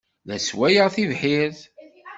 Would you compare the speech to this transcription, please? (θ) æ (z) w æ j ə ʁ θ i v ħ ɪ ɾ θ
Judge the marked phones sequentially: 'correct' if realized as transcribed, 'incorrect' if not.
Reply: incorrect: ð, incorrect: s

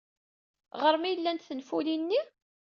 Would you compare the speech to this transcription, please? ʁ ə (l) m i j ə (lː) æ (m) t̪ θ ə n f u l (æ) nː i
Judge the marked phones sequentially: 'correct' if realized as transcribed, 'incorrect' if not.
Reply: incorrect: ɾ, correct, incorrect: n, incorrect: i

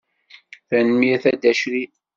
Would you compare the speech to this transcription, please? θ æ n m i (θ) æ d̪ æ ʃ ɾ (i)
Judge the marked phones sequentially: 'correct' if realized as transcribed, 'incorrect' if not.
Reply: correct, correct

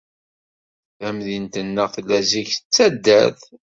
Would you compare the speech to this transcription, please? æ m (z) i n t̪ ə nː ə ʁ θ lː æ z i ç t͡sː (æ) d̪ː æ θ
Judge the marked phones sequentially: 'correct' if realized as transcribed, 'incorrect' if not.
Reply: incorrect: ð, correct

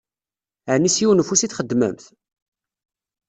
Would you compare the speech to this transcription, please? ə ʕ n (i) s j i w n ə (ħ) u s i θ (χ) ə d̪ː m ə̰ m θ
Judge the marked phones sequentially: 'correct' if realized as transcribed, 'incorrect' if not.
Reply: correct, incorrect: f, correct

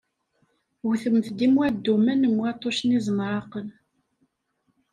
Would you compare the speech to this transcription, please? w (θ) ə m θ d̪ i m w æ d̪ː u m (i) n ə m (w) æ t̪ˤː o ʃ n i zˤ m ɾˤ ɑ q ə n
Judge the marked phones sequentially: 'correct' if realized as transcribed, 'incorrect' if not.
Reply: correct, incorrect: æ, correct

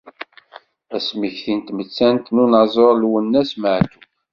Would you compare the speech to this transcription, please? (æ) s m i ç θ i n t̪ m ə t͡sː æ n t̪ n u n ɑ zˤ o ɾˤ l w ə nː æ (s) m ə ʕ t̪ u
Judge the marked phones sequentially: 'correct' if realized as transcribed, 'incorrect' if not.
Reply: correct, correct

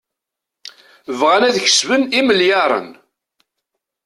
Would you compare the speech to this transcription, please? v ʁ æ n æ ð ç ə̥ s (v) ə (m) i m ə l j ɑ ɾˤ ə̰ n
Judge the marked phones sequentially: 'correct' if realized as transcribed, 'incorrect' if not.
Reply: correct, incorrect: n

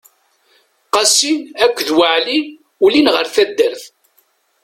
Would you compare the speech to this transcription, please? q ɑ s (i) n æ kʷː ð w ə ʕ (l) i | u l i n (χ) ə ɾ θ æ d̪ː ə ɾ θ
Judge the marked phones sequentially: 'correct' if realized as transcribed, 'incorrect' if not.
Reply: correct, correct, incorrect: ʁ

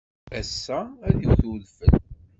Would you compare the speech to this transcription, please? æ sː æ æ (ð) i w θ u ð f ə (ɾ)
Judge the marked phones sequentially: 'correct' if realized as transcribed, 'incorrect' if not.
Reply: correct, incorrect: l

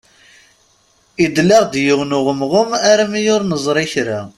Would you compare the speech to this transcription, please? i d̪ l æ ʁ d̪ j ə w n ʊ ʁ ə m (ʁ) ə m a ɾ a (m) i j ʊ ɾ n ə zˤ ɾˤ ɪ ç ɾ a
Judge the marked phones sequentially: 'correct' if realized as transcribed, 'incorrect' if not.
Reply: correct, correct

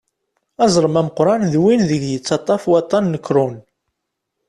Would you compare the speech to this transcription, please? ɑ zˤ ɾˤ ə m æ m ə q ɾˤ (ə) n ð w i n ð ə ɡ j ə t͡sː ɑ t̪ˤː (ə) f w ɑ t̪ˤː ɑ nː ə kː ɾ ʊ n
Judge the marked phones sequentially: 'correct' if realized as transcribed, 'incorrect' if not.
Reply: incorrect: ɑ, incorrect: ɑ

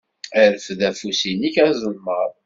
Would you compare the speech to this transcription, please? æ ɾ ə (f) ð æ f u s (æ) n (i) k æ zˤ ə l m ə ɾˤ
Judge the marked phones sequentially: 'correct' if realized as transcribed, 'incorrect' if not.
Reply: correct, incorrect: i, correct

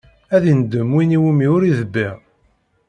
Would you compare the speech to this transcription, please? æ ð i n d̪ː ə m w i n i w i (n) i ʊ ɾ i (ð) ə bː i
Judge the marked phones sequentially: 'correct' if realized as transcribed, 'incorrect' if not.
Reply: incorrect: m, correct

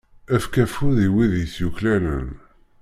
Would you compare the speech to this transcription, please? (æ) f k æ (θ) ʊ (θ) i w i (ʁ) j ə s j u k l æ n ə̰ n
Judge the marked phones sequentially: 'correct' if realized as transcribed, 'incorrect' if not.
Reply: correct, incorrect: f, incorrect: ð, incorrect: ð

